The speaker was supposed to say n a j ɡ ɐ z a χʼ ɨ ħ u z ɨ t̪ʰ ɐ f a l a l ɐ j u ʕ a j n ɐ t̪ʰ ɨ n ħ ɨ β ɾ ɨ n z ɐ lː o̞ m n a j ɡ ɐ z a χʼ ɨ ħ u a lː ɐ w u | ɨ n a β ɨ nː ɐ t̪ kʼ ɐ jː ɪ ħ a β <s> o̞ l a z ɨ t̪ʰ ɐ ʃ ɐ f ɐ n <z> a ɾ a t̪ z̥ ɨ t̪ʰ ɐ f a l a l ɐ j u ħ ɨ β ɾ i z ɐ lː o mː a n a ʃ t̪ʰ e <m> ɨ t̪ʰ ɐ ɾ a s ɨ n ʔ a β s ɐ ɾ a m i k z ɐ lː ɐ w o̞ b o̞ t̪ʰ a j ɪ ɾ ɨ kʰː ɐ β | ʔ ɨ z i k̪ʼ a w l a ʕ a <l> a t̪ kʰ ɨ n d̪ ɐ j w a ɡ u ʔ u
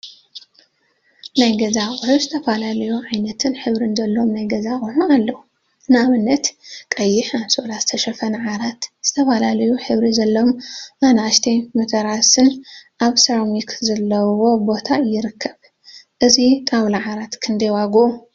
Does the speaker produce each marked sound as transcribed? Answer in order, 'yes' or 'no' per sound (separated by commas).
yes, no, yes, no